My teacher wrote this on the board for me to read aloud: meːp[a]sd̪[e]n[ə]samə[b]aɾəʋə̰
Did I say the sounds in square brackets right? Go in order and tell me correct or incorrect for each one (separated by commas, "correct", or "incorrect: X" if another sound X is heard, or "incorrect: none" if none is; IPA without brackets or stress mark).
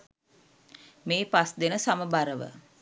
correct, correct, correct, correct